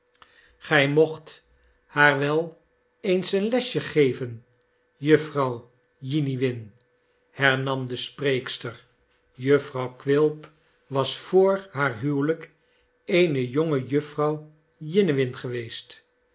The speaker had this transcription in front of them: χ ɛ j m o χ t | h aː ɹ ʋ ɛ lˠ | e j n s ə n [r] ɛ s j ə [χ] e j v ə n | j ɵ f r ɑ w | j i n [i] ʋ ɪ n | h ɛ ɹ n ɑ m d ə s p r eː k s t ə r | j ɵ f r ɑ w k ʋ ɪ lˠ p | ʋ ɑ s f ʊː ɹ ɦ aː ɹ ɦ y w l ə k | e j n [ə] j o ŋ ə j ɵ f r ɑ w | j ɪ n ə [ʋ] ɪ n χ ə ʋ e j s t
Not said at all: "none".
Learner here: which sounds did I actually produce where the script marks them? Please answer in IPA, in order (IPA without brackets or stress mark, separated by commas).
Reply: l, χ, i, ə, ʋ